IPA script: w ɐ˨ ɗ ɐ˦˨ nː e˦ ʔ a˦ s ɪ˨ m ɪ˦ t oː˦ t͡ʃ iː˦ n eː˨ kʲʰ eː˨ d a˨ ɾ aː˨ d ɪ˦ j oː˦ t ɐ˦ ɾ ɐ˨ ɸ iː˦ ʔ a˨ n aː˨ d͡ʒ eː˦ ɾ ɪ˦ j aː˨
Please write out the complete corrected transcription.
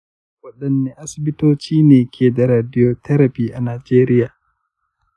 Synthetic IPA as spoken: w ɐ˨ ɗ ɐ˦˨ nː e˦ ʔ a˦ s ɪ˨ b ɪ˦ t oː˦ t͡ʃ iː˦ n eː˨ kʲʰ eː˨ d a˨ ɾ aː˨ d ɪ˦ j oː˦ t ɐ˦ ɾ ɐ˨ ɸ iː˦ ʔ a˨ n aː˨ d͡ʒ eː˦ ɾ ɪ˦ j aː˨